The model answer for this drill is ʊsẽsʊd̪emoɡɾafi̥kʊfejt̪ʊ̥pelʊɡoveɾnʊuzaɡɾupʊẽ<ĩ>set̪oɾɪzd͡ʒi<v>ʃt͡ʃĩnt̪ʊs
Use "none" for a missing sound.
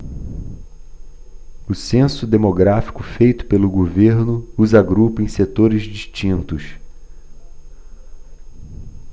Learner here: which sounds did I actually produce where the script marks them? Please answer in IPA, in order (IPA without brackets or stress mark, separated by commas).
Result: j̃, none